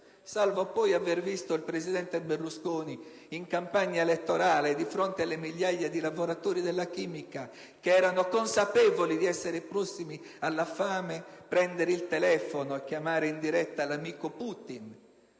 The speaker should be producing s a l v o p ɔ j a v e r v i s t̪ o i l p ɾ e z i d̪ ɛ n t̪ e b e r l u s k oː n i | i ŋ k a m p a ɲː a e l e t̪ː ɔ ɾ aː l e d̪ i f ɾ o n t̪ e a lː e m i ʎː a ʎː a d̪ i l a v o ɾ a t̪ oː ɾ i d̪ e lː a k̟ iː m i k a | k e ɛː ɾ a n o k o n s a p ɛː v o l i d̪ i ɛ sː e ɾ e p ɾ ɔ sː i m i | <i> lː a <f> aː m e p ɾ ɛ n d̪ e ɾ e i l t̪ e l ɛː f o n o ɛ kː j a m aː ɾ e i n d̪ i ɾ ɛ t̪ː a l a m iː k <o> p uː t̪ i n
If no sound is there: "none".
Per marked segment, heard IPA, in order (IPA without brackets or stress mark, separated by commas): a, f, o